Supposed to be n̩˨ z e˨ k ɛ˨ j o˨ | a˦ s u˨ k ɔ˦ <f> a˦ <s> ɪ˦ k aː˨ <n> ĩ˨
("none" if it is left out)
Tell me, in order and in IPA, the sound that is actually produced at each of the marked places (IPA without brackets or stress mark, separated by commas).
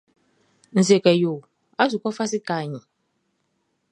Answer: f, s, ɲ